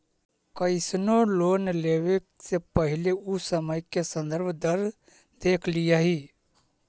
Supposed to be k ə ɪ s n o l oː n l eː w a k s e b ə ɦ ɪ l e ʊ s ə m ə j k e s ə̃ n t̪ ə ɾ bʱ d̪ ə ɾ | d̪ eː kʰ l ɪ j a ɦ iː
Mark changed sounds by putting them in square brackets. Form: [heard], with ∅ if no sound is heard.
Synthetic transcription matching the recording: k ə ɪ s n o l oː n l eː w [e] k s e [p] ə ɦ ɪ l e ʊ s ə m ə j k e s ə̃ n [d̪] ə ɾ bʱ d̪ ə ɾ | d̪ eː kʰ l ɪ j a ɦ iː